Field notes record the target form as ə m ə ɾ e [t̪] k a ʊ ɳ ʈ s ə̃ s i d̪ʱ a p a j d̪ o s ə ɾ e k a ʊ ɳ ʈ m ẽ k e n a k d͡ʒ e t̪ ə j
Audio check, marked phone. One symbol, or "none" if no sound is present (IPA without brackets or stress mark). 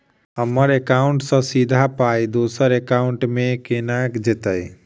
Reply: none